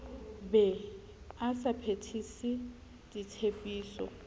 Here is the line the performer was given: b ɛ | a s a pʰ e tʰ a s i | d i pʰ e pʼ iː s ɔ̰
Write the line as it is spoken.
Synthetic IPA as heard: b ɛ | a s a pʰ e tʰ i s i | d i tʰ e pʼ iː s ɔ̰